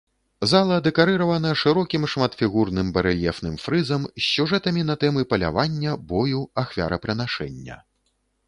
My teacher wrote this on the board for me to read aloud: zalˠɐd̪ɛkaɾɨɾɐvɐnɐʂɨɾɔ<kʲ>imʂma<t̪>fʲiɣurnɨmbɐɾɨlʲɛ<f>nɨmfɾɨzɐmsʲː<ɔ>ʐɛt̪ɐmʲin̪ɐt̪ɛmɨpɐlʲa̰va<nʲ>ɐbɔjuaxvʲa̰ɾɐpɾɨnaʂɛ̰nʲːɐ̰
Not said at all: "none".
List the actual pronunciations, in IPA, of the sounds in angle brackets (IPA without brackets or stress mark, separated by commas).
kʲ, t̪, f, u, nʲː